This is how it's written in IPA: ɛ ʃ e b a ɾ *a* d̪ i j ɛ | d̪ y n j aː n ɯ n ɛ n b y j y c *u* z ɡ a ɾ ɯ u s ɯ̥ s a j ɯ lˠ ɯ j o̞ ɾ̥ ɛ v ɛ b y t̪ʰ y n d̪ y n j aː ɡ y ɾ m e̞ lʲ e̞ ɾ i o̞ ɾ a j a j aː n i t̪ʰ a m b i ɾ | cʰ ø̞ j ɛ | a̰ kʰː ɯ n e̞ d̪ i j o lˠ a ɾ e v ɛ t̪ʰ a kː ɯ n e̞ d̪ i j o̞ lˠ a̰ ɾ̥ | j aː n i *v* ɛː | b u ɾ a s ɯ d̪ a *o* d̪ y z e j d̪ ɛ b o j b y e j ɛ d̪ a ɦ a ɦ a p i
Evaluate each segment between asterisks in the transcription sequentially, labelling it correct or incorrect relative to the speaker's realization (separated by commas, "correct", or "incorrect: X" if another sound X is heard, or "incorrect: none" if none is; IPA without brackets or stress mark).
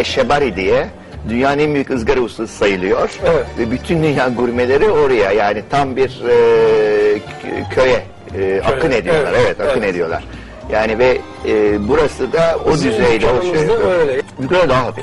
incorrect: i, incorrect: ɯ, correct, correct